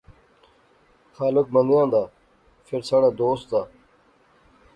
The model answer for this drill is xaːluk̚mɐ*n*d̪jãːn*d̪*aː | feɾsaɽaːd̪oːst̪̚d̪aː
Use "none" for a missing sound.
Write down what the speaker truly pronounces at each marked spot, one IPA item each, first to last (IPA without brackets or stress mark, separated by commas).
n, d̪